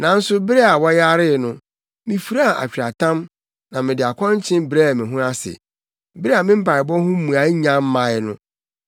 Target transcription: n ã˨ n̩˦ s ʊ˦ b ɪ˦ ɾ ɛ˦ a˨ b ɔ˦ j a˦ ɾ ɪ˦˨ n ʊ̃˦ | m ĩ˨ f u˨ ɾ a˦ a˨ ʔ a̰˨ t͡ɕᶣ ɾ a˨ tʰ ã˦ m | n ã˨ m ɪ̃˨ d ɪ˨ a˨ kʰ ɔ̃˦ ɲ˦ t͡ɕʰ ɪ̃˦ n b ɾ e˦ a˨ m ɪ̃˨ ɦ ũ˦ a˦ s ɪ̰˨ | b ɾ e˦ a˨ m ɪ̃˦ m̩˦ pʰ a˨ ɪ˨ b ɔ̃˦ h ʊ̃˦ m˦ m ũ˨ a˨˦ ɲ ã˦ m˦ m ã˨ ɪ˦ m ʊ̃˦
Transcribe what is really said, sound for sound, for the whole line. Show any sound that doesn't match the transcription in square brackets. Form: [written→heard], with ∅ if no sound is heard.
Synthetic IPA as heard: n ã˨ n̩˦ s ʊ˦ b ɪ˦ ɾ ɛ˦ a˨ [b→w] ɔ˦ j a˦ ɾ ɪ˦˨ n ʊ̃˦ | m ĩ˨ f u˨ ɾ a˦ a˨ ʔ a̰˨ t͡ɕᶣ ɾ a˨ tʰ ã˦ m | n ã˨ m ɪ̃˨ d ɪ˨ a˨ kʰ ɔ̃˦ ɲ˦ t͡ɕʰ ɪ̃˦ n b ɾ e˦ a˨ m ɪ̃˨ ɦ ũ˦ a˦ s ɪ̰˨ | b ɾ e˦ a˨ m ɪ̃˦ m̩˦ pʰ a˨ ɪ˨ b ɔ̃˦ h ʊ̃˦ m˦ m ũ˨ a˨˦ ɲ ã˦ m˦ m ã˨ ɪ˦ [m→n] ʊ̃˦